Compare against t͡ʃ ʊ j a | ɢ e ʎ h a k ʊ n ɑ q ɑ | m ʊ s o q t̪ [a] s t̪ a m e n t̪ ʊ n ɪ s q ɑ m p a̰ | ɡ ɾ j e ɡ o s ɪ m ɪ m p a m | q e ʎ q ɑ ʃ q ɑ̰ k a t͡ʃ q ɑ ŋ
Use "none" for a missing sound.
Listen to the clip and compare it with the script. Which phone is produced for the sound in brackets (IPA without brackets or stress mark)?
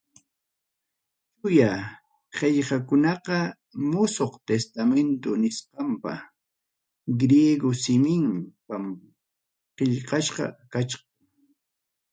e